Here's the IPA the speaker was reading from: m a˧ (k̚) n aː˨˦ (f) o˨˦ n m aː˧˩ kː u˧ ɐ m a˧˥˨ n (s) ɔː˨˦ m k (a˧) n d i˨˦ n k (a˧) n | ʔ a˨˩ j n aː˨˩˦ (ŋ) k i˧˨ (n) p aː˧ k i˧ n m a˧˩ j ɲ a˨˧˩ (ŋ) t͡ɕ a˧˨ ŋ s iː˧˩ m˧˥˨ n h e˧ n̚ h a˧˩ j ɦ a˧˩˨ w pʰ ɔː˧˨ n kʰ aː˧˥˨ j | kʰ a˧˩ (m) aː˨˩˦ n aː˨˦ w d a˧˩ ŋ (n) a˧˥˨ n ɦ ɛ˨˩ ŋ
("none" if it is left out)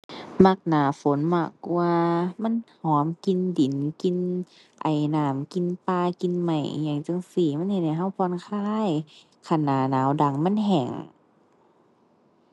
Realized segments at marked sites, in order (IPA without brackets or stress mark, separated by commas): k̚, f, h, i˧, i˧, m, n, ŋ, n, m